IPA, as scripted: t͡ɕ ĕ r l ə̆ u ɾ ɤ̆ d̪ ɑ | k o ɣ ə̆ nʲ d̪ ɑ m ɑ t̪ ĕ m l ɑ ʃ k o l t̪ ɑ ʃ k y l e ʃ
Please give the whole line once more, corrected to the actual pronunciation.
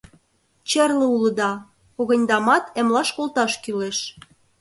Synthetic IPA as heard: t͡ɕ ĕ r l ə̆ u l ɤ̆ d̪ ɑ | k o ɣ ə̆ nʲ d̪ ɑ m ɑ t̪ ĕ m l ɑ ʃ k o l t̪ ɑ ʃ k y l e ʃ